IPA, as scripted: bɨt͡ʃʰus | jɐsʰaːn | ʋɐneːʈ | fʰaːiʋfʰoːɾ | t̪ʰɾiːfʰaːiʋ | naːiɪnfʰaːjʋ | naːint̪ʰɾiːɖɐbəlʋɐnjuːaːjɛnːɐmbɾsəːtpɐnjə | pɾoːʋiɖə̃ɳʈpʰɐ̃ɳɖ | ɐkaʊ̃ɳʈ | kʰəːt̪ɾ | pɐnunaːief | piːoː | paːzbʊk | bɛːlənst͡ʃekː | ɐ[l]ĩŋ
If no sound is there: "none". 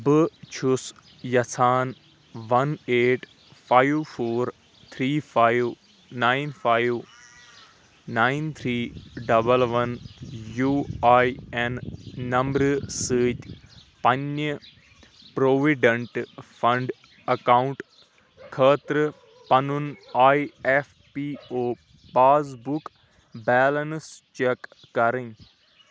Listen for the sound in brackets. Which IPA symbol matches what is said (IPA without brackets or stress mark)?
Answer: ɾ